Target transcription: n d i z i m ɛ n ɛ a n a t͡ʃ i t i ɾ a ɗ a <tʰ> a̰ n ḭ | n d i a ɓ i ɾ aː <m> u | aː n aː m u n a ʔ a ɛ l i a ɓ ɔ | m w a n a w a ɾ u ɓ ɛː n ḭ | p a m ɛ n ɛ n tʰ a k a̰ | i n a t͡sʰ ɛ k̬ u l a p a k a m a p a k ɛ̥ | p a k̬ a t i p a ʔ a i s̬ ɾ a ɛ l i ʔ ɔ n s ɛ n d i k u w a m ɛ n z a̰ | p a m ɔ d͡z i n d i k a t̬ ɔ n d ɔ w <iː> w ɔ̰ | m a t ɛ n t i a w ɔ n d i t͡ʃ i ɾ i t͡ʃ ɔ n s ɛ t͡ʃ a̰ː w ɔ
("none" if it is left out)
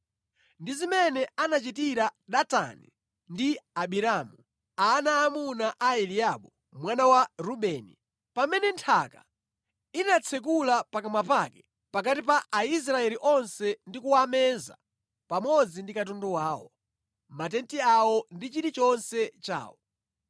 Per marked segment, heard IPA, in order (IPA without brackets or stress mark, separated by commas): t, m, aː